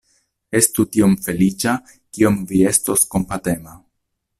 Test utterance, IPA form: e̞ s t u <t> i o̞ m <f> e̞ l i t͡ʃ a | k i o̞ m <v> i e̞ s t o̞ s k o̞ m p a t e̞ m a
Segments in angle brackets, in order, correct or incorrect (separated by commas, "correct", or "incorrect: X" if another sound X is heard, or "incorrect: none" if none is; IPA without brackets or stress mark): correct, correct, correct